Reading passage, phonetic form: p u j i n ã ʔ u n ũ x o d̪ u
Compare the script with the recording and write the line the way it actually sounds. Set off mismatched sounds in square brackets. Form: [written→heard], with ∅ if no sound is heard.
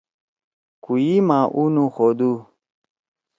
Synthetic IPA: [p→k] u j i [n→m] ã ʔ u n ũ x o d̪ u